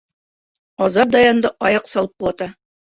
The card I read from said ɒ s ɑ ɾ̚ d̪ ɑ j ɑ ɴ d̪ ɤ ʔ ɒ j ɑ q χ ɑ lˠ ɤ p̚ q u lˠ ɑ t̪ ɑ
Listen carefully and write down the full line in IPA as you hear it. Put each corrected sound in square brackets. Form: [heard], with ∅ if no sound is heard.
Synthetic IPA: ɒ [z] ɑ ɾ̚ d̪ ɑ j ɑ [n] d̪ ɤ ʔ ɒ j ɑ q [s] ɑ lˠ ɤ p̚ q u lˠ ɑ t̪ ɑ